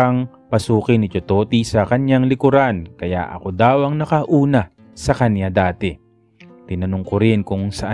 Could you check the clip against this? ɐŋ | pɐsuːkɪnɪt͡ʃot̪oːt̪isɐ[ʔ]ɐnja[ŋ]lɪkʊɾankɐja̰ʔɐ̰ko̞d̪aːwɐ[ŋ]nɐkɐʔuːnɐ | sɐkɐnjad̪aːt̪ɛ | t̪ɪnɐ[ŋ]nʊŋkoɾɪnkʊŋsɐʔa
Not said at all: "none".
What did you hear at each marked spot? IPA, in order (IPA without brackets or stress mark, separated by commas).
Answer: k, ŋ, ŋ, none